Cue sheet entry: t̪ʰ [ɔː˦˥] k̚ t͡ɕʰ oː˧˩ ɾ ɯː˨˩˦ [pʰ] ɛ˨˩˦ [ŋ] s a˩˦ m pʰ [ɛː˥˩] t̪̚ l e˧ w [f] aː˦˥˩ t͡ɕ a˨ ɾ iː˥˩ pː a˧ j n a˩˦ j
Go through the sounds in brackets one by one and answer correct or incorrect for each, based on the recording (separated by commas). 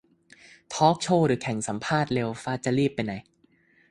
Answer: correct, incorrect, correct, incorrect, correct